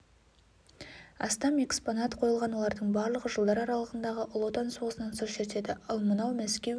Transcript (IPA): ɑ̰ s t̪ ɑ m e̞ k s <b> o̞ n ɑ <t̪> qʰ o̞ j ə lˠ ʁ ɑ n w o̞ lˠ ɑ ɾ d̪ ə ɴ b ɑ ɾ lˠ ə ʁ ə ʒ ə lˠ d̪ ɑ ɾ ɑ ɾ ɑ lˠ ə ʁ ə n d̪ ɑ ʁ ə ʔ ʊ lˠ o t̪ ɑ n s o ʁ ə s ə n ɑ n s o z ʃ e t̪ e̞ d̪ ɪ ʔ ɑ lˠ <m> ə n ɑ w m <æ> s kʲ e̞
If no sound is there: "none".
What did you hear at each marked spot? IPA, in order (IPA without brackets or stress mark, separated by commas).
p, t̪, m, æ